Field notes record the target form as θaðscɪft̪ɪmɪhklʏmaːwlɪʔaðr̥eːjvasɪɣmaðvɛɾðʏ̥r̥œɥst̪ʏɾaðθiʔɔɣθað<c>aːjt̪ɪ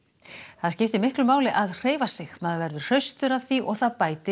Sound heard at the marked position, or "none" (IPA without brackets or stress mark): p